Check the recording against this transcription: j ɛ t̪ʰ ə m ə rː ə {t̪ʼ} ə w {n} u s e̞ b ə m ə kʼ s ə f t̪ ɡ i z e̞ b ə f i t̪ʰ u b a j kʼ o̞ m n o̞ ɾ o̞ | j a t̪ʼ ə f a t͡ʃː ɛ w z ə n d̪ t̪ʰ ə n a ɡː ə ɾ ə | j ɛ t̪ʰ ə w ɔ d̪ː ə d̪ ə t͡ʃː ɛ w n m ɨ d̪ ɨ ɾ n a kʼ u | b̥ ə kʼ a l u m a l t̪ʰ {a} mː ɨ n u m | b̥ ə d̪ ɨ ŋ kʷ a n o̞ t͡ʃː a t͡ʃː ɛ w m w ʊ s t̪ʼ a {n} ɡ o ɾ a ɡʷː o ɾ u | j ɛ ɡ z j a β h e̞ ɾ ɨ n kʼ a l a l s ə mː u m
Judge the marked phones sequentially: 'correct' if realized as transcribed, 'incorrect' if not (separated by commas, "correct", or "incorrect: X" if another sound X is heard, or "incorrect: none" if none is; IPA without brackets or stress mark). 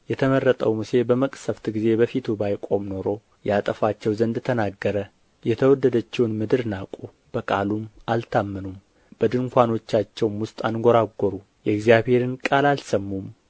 correct, incorrect: m, correct, correct